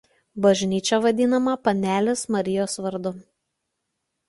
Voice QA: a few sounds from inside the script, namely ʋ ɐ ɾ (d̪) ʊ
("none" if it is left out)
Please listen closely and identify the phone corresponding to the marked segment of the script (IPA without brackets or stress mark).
d̪